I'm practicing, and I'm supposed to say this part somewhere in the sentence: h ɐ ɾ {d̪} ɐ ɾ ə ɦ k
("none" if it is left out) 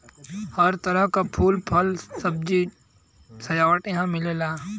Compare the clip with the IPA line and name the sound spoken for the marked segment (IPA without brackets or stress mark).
t̪